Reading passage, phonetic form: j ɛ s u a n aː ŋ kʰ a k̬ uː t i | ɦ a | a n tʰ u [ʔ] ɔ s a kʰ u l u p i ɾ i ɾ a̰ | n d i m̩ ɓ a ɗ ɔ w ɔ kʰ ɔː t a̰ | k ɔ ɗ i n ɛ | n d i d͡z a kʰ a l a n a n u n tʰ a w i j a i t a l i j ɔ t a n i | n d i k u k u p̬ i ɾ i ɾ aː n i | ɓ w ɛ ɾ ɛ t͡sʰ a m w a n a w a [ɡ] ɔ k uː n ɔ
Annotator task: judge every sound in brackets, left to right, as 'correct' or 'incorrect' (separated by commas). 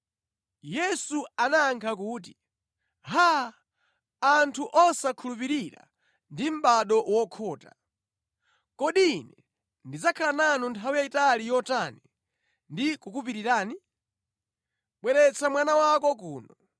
correct, incorrect